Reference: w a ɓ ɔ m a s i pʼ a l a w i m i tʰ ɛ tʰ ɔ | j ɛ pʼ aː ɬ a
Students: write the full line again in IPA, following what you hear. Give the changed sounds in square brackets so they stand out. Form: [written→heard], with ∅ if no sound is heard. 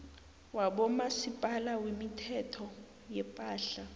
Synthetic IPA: w a ɓ ɔ m a s i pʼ a l a w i m i tʰ ɛ tʰ ɔ | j ɛ pʼ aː ɬ a